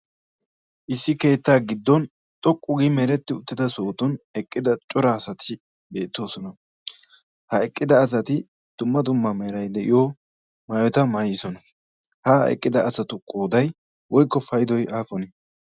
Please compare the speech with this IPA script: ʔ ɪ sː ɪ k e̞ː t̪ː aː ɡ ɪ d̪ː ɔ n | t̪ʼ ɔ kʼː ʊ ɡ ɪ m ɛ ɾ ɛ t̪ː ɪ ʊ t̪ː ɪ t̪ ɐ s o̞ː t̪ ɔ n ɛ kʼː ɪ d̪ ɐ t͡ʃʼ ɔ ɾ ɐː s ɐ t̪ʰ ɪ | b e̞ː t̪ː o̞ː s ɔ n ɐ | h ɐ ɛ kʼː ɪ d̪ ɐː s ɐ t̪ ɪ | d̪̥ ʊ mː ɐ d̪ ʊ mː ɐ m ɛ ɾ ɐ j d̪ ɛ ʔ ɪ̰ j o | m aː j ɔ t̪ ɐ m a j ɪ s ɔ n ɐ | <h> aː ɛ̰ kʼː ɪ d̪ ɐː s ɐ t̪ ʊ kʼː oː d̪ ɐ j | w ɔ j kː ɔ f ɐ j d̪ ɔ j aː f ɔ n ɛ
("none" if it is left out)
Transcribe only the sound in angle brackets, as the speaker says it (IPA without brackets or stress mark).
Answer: h